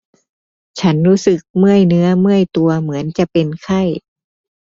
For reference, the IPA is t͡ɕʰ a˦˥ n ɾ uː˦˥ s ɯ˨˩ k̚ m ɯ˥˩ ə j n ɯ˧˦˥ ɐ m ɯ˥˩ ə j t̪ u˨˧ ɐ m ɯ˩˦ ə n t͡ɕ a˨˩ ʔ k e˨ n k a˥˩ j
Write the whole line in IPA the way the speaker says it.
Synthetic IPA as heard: t͡ɕʰ a˦˥ n ɾ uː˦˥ s ɯ˨˩ k̚ m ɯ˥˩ ə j n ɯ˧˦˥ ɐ m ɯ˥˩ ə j t̪ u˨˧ ɐ m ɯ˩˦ ə n t͡ɕ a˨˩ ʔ p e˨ n kʰ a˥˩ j